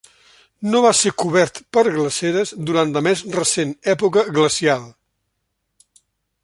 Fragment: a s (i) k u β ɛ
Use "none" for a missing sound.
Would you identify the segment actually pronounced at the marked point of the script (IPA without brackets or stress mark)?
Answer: e